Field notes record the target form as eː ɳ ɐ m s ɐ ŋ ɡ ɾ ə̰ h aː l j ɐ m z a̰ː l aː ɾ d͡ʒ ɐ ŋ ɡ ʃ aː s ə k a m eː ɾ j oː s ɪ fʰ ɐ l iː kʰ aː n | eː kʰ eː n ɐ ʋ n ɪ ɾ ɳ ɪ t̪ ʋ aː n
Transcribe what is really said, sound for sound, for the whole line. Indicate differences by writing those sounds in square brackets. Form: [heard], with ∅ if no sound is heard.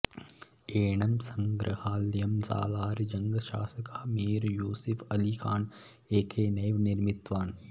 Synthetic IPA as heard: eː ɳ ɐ m s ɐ ŋ ɡ ɾ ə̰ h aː l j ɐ m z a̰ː l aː ɾ d͡ʒ ɐ ŋ ɡ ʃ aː s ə k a m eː ɾ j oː s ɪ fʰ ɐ l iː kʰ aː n | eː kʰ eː n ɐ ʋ n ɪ ɾ [m] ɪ t̪ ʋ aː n